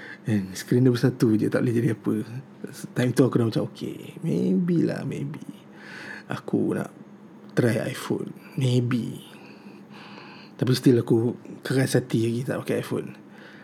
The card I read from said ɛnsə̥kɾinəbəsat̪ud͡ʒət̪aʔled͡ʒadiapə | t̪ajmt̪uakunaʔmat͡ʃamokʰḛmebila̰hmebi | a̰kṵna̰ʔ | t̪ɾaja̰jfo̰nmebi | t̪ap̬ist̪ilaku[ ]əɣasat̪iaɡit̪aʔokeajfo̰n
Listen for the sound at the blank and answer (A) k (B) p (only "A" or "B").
A